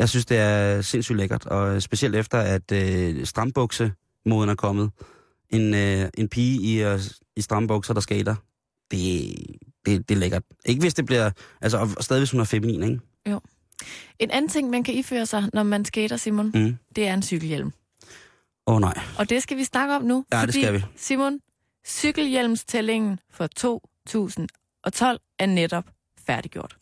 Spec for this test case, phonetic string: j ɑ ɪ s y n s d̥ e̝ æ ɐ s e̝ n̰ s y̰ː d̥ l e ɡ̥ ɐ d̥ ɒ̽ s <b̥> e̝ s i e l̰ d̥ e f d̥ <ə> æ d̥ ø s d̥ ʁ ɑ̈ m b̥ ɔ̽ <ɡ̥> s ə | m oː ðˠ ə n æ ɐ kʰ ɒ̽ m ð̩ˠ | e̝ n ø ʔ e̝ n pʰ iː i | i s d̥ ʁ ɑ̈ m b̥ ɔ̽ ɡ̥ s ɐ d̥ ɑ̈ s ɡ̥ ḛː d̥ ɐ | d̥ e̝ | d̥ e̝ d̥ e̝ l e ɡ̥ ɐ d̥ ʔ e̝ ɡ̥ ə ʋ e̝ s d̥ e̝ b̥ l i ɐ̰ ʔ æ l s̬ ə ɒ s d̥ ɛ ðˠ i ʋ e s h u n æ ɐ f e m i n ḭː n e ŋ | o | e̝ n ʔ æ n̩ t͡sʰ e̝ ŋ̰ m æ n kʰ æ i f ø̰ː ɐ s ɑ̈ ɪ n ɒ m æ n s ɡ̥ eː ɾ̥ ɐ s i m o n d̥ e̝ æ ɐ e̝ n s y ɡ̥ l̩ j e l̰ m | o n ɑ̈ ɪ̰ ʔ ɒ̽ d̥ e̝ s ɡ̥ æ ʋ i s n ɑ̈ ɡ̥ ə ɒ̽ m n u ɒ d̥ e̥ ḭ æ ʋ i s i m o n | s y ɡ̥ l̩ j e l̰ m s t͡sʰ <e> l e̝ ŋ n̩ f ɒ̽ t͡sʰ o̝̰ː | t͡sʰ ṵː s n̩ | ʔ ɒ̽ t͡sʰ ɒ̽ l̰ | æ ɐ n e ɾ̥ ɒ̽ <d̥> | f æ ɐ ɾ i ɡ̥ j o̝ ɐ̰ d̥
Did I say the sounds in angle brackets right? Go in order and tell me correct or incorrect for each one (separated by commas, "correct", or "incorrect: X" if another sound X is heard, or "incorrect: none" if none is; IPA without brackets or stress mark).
correct, incorrect: ɐ, correct, correct, incorrect: b̥